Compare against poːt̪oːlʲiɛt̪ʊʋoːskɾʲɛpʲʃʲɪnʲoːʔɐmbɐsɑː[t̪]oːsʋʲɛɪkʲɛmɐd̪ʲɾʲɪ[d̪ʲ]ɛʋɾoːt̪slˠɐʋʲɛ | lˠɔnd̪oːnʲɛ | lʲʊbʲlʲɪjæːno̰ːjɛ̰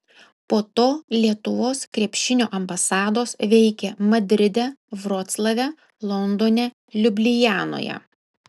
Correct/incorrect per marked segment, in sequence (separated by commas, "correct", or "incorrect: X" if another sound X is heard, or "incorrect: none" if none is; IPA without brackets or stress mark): incorrect: d̪, correct